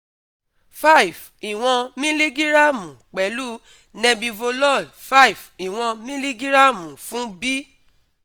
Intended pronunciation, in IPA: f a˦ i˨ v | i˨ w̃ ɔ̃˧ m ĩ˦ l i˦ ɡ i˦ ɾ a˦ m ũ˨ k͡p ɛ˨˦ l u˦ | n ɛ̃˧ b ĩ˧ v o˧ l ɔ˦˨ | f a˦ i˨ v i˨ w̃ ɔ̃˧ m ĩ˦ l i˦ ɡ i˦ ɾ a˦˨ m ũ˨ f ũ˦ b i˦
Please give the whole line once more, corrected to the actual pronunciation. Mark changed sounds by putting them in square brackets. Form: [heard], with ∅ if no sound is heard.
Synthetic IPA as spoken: f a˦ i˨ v | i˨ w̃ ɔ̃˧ m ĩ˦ l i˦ ɡ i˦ ɾ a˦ m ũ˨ k͡p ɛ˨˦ l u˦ | n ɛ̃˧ b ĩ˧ v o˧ l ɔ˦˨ | f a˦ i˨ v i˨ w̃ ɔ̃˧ m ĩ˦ l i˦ ɡ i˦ ɾ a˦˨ m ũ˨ f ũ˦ b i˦